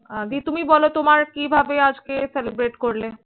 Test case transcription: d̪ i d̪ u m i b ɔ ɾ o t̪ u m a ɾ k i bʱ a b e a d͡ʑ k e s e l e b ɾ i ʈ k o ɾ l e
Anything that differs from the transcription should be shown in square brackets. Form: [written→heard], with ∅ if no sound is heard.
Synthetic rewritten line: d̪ i [d̪→t̪] u m i b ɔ [ɾ→l] o t̪ [u→o] m a ɾ k i bʱ a b e a d͡ʑ k e s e l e b ɾ [i→e] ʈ k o ɾ l e